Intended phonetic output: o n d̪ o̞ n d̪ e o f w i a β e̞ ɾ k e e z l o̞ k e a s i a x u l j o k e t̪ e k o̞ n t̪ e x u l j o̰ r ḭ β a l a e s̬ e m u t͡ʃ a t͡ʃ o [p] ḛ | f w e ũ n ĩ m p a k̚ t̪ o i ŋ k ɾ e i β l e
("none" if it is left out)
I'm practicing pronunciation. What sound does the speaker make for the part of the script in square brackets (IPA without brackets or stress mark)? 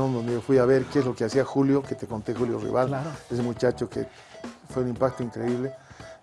k